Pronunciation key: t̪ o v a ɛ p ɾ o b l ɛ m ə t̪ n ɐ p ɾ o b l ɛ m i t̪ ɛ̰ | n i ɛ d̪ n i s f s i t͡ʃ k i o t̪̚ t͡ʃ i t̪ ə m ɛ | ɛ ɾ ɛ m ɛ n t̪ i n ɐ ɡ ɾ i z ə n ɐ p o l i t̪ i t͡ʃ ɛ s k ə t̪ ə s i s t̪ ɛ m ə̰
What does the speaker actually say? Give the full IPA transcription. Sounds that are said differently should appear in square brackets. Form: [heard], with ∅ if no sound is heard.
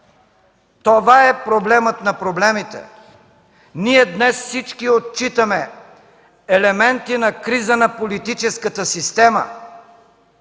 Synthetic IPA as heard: t̪ o v a ɛ p ɾ o b l ɛ m ə t̪ n ɐ p ɾ o b l ɛ m i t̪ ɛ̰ | n i ɛ d̪ n [ɛ] s f s i t͡ʃ k i o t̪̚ t͡ʃ i t̪ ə m ɛ | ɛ [l] ɛ m ɛ n t̪ i n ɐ [k] ɾ i z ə n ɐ p o l i t̪ i t͡ʃ ɛ s k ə t̪ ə s i s t̪ ɛ m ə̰

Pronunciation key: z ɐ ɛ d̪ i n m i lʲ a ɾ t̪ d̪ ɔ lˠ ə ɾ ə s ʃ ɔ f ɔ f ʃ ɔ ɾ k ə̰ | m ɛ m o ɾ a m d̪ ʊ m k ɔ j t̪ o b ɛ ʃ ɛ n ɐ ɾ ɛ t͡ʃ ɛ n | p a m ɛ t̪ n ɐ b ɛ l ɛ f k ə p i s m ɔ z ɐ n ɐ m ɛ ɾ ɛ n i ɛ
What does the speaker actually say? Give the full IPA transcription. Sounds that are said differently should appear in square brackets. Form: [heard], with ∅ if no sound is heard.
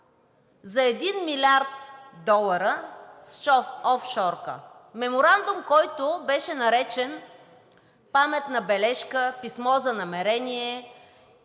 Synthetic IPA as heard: z ɐ ɛ d̪ i n m i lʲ a ɾ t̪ d̪ ɔ lˠ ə ɾ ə s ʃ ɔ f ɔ f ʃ ɔ ɾ k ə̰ | m ɛ m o ɾ a [n] d̪ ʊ m k ɔ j t̪ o b ɛ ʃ ɛ n ɐ ɾ ɛ t͡ʃ ɛ n | p a m ɛ t̪ n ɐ b ɛ l ɛ [ʃ] k ə p i s m ɔ z ɐ n ɐ m ɛ ɾ ɛ n i ɛ

